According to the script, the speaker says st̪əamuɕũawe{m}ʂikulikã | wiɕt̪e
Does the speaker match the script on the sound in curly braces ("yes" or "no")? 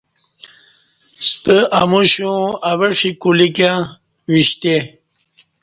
no